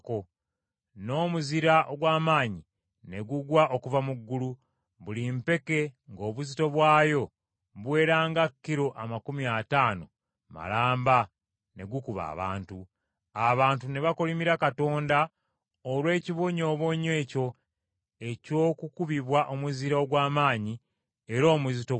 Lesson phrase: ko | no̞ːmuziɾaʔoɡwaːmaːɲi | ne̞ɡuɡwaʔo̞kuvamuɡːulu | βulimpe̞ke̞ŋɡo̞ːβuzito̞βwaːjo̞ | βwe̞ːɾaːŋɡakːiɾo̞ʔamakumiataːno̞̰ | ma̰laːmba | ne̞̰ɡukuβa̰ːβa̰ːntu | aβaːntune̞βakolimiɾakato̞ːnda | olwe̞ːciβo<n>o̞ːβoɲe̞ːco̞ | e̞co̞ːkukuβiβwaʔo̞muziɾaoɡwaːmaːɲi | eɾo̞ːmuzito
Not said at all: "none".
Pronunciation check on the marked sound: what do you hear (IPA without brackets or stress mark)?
ɲ